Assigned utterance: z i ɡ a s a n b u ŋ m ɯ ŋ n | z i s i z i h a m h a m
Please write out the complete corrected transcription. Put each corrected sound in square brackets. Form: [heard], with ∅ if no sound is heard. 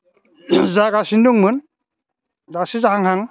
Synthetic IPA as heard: z [a] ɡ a s [i] n [d] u ŋ m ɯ [∅] n | z [a] s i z [a] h a [ŋ] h a [ŋ]

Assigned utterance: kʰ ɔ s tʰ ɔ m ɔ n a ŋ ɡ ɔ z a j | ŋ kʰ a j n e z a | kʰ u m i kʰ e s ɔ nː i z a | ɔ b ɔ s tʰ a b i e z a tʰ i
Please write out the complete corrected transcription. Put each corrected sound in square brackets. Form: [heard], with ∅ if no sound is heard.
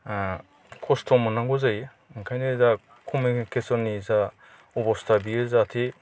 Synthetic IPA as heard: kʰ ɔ s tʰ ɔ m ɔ n a ŋ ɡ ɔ z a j | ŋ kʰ a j n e z a | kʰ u m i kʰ e s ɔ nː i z a | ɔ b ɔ s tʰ a b i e z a tʰ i

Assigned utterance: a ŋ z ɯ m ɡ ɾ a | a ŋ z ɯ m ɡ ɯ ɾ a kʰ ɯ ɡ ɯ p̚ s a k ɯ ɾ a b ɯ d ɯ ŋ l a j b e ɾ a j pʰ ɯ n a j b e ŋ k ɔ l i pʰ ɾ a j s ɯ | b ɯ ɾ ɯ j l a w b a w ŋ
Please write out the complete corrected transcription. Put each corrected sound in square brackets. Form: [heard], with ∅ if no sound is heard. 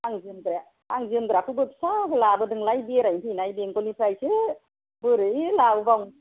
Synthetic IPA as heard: a ŋ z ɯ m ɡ ɾ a | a ŋ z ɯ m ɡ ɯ ɾ a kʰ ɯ [b] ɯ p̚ s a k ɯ [l] a b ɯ d ɯ ŋ l a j b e ɾ a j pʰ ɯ n a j b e ŋ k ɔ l i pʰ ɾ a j s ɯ | b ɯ ɾ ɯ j l a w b a w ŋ

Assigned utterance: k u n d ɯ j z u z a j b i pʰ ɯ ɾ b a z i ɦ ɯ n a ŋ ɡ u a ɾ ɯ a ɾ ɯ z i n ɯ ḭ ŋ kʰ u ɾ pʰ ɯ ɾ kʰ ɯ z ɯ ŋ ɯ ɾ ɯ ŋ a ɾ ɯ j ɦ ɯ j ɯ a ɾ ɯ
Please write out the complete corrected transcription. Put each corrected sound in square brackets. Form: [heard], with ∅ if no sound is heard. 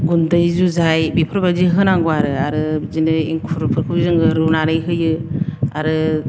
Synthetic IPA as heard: [ɡ] u n d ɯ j z u z a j b i pʰ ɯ ɾ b a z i ɦ ɯ n a ŋ ɡ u a ɾ ɯ a ɾ ɯ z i n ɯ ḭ ŋ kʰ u ɾ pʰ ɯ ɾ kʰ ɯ z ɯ ŋ ɯ ɾ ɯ [n] a ɾ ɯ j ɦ ɯ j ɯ a ɾ ɯ

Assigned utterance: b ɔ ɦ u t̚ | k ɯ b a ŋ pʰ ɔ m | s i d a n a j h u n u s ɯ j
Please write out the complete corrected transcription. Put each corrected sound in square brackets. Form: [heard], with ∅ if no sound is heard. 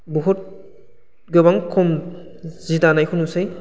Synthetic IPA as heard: b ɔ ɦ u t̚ | [ɡ] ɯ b a ŋ [kʰ] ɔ m | [z] i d a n a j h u n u s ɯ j

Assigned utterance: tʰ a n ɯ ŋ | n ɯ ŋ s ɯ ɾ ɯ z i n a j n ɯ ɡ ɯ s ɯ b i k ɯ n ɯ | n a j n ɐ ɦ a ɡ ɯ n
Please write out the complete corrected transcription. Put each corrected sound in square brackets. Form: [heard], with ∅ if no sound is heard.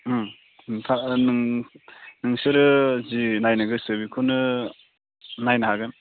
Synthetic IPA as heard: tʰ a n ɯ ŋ | n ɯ ŋ s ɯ ɾ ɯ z i n a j n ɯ ɡ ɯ s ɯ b i [kʰ] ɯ n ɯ | n a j n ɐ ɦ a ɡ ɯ n

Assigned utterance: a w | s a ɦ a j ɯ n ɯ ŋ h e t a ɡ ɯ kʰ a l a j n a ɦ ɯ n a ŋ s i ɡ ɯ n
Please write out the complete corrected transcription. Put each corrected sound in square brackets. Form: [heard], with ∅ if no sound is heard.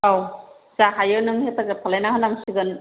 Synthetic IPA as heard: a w | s a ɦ a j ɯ n ɯ ŋ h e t a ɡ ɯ [pʰ] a l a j n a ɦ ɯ n a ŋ s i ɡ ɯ n

